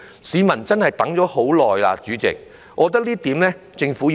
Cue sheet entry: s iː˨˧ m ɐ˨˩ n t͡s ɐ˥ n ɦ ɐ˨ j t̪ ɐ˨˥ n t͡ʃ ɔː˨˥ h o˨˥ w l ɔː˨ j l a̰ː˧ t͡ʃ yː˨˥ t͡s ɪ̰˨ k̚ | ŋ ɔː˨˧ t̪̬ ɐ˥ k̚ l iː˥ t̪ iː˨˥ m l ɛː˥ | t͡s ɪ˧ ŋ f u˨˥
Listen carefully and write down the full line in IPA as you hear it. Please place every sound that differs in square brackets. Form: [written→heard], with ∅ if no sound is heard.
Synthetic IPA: s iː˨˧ m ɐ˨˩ n t͡s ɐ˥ n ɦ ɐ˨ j t̪ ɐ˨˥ [n→ŋ] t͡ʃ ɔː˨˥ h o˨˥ w l ɔː˨ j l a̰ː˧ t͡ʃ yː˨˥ t͡s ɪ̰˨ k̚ | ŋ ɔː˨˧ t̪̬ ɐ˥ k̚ l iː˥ t̪ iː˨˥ m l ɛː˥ | t͡s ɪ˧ ŋ f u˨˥